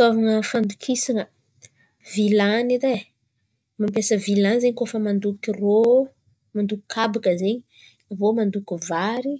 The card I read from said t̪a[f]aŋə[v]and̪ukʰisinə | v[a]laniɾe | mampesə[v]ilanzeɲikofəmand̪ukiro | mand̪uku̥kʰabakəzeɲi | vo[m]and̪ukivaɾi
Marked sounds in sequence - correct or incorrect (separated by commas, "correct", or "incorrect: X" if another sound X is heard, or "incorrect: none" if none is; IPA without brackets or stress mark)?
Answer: incorrect: v, incorrect: f, incorrect: i, correct, correct